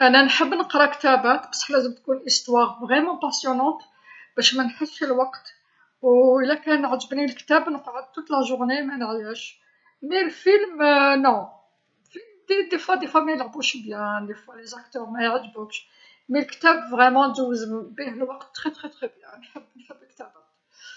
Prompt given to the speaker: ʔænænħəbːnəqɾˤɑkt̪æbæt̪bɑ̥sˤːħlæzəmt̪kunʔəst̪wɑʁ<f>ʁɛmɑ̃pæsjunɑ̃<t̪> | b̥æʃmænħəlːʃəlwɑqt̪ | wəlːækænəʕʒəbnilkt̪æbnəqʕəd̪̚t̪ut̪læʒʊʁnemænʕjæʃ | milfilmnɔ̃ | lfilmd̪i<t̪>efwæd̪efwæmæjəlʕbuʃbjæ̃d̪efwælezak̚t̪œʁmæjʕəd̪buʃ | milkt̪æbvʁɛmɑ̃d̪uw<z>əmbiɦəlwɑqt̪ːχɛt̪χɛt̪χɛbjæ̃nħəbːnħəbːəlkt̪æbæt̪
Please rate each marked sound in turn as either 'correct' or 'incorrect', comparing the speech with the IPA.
incorrect: v, correct, incorrect: d̪, correct

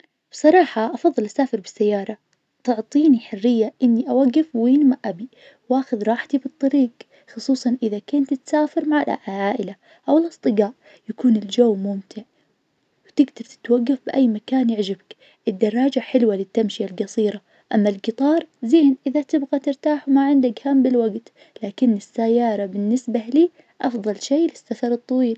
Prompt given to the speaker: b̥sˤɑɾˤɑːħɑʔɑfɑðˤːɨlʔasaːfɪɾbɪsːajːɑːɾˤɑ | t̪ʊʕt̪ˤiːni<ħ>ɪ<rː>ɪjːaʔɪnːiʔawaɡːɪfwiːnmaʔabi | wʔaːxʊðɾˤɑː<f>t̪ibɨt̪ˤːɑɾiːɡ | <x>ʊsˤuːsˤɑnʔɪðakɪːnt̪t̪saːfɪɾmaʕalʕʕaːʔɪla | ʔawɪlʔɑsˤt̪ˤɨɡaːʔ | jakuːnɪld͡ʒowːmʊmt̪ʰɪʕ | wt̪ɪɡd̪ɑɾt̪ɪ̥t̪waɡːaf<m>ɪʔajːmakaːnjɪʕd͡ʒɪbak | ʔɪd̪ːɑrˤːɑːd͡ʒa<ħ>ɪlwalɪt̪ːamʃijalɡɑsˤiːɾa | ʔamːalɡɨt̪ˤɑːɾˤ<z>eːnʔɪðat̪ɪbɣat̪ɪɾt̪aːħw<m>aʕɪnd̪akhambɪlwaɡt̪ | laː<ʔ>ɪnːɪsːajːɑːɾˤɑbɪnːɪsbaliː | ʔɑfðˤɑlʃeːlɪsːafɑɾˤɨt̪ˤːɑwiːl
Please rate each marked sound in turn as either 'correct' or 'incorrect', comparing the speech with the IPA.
correct, correct, incorrect: ħ, correct, incorrect: b, correct, correct, correct, incorrect: k

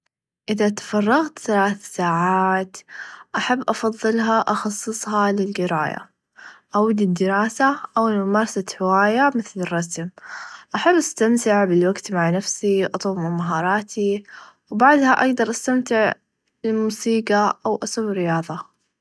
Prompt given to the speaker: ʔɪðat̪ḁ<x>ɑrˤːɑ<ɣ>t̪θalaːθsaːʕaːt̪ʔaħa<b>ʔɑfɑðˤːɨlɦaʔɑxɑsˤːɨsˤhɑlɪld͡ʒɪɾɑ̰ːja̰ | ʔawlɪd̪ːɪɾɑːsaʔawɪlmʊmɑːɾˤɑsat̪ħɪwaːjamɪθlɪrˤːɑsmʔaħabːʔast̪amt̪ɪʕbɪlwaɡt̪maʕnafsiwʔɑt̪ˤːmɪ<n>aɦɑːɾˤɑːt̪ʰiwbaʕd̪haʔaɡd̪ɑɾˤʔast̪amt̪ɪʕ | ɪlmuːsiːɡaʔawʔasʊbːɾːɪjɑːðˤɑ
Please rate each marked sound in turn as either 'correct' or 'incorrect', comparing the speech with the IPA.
incorrect: f, correct, incorrect: bː, incorrect: m

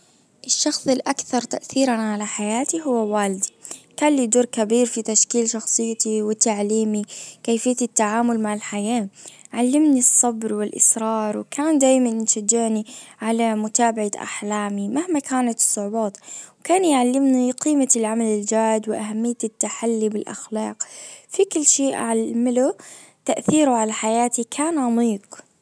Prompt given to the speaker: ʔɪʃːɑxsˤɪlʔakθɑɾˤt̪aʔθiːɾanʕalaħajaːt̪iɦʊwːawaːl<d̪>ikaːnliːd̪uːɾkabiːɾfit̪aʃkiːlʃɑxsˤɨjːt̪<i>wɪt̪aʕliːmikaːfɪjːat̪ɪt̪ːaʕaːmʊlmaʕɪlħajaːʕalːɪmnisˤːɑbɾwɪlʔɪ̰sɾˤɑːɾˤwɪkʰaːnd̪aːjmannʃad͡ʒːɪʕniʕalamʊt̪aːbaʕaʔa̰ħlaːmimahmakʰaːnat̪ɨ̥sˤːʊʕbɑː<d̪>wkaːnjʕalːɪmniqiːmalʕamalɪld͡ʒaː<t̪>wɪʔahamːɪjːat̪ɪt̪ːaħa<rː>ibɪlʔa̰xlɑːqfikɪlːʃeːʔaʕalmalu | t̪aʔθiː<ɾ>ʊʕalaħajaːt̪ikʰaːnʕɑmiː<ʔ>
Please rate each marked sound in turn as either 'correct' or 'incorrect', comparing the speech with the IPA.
correct, correct, incorrect: t̪, incorrect: d̪, incorrect: lː, correct, incorrect: q

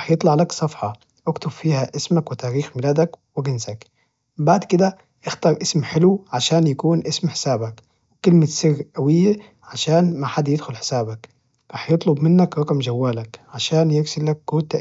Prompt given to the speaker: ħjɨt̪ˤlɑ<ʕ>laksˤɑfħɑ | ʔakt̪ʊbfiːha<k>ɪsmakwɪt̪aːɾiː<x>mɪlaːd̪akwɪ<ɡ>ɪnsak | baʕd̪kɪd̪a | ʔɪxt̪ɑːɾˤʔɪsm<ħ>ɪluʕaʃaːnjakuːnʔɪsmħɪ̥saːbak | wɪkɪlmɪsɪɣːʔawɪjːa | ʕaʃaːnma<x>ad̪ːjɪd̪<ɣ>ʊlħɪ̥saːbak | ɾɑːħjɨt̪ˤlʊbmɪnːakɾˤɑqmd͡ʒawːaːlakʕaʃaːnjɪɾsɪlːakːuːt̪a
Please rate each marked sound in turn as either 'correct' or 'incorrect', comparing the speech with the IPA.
correct, incorrect: ʔ, correct, correct, correct, incorrect: ħ, incorrect: x

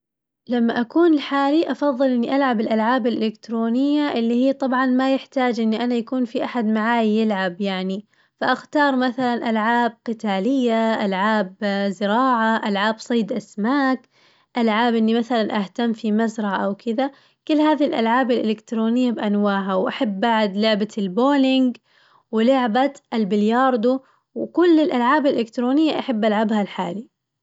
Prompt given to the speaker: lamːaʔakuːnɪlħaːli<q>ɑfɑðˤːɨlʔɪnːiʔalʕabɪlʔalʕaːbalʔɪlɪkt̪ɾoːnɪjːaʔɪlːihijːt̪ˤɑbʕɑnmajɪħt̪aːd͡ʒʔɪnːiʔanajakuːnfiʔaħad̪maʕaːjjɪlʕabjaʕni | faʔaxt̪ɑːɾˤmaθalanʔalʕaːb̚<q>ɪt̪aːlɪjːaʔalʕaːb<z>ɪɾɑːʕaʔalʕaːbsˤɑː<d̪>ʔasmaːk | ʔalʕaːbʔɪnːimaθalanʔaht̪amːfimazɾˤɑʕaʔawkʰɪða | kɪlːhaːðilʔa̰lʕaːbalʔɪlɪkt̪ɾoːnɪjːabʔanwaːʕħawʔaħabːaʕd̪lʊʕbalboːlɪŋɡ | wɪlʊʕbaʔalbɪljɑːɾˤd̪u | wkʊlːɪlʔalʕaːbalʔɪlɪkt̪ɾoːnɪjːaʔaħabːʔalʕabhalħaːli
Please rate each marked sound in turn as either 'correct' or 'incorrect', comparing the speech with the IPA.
incorrect: ʔ, correct, correct, correct

